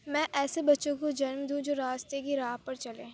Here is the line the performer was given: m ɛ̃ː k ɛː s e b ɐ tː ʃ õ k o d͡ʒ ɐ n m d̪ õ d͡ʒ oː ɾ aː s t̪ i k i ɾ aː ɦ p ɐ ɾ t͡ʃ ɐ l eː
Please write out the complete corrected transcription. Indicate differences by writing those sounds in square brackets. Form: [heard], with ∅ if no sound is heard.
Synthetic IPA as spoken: m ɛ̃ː [ʔ] ɛː s e b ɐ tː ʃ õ k o d͡ʒ ɐ n m d̪ [ũ] d͡ʒ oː ɾ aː s t̪ [e] k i ɾ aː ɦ p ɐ ɾ t͡ʃ ɐ l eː

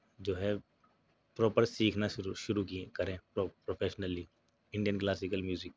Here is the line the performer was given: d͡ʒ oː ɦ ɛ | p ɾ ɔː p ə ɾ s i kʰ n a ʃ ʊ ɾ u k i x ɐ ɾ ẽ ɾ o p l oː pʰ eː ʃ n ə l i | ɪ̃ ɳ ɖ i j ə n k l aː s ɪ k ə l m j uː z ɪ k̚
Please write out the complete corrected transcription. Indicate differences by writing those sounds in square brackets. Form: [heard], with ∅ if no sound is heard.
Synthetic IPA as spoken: d͡ʒ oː ɦ ɛ | p ɾ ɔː p ə ɾ s [iː] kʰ n a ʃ ʊ ɾ u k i [k] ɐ ɾ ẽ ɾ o p [ɾ] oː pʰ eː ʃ n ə l i | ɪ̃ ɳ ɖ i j ə n k l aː s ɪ k ə l m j uː z ɪ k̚

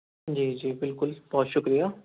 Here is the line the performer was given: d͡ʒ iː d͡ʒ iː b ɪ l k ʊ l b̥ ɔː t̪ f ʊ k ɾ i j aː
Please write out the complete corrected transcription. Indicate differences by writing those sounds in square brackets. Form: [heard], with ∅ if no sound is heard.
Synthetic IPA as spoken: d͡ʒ iː d͡ʒ iː b ɪ l k ʊ l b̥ ɔː t̪ [ʃ] ʊ k ɾ i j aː

